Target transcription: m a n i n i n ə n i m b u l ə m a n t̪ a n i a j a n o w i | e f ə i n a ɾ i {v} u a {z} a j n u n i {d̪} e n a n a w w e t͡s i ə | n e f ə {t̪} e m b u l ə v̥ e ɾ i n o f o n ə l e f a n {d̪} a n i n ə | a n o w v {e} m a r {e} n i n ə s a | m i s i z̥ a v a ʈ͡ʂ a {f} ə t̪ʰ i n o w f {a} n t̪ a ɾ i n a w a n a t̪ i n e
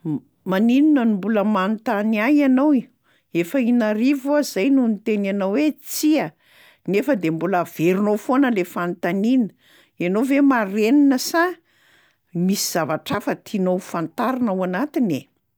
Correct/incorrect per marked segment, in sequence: correct, correct, incorrect: t̪, incorrect: d̪, incorrect: t̪, correct, correct, correct, correct

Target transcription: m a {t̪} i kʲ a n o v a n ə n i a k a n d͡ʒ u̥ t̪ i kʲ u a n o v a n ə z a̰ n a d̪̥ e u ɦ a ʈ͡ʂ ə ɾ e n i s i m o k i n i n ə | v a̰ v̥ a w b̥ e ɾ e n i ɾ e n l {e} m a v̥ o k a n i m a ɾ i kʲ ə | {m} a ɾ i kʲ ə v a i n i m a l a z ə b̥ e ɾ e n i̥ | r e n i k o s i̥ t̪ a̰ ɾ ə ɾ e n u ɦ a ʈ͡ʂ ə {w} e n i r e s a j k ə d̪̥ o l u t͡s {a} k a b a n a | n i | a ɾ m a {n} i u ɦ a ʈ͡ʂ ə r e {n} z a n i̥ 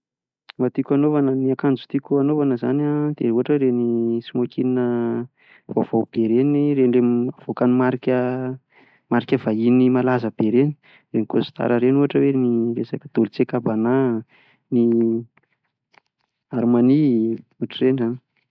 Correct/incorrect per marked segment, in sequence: correct, correct, correct, correct, incorrect: e, correct, correct

